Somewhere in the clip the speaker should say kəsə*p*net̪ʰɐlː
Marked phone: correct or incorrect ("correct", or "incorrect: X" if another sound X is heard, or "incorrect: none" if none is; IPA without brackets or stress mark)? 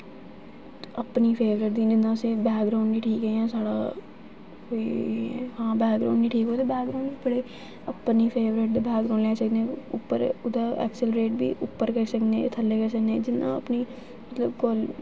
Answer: incorrect: k